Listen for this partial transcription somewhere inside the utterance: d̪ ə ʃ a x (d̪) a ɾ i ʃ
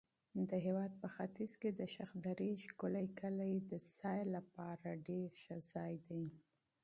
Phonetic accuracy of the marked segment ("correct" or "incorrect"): correct